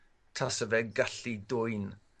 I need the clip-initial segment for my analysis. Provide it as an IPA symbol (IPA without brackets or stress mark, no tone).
tʰ